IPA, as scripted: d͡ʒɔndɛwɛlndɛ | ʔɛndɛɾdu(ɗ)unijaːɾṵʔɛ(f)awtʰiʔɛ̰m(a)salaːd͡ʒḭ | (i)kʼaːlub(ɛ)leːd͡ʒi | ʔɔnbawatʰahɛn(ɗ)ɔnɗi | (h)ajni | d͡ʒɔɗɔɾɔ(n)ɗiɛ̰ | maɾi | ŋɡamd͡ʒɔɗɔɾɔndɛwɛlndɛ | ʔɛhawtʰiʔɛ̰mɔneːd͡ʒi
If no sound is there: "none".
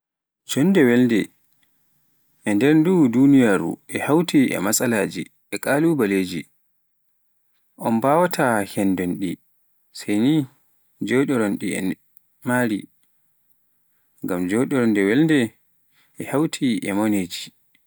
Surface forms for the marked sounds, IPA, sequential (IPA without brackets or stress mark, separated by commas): d, h, a, ɛ, a, d, s, n